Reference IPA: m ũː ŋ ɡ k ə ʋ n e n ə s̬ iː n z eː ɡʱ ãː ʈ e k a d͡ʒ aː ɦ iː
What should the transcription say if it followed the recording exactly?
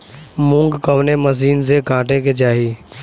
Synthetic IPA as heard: m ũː ŋ ɡ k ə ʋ n e m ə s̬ iː n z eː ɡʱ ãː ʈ e k e d͡ʒ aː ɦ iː